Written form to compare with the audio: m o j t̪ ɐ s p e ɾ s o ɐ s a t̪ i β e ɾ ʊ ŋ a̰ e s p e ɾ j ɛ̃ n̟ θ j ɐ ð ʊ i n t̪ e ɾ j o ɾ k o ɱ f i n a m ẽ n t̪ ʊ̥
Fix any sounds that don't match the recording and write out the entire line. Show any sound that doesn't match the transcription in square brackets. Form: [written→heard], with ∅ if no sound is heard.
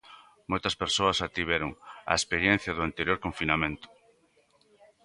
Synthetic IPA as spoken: m o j t̪ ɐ s p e ɾ s o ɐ s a t̪ i β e ɾ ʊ ŋ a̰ e s p e ɾ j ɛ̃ n̟ θ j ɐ ð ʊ [i→a] n t̪ e ɾ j o ɾ k o ɱ f i n a m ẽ n t̪ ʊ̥